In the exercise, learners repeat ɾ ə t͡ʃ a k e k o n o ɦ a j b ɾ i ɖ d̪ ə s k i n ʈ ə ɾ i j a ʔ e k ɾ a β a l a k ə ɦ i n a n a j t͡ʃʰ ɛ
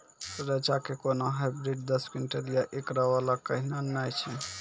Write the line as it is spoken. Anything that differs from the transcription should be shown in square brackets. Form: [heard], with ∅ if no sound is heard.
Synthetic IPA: ɾ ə t͡ʃ a k e k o n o ɦ a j b ɾ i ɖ d̪ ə s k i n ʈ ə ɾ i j a ʔ e k ɾ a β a l a k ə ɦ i n a n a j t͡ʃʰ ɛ